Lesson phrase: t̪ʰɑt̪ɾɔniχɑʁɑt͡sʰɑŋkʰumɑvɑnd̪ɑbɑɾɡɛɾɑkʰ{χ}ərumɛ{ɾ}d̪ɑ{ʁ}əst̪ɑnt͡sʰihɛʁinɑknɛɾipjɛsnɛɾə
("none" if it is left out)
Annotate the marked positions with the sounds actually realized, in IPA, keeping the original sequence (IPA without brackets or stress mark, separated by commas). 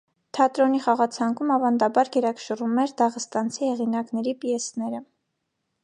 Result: ʃ, ɾ, ʁ